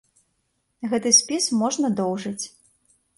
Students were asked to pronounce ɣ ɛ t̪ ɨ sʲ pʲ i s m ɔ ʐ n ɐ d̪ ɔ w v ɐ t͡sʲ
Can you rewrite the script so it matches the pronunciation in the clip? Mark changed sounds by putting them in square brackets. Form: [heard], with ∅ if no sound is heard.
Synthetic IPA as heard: ɣ ɛ t̪ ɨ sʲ pʲ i s m ɔ ʐ n ɐ d̪ ɔ w [ʐ] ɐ t͡sʲ